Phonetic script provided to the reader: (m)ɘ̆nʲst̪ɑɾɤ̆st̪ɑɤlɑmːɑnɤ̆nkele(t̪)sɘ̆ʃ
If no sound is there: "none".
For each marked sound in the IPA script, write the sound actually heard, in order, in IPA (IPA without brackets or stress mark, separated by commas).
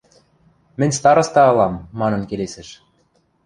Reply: m, none